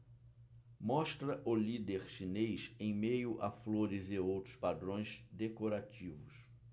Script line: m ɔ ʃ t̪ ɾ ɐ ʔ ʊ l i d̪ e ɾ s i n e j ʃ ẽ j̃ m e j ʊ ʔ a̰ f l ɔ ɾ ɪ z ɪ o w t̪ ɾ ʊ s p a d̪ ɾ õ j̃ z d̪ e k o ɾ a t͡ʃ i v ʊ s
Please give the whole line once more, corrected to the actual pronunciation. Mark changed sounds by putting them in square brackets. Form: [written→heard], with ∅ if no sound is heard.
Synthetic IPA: m ɔ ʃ t̪ ɾ ɐ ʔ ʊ l i d̪ e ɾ [s→ʃ] i n e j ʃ ẽ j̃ m e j ʊ ʔ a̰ f l [ɔ→o] ɾ ɪ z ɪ o w t̪ ɾ ʊ s p a d̪ ɾ õ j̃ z d̪ e k o ɾ a t͡ʃ i v ʊ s